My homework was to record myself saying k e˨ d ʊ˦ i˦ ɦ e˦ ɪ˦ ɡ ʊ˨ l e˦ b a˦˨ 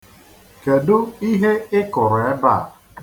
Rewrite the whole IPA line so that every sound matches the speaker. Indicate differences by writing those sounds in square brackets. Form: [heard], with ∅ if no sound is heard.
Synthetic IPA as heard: k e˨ d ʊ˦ i˦ ɦ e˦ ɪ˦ [k] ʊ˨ [ɾ] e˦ b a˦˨